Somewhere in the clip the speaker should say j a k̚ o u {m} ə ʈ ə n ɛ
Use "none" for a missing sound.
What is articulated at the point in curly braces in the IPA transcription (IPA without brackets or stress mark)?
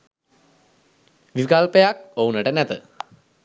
n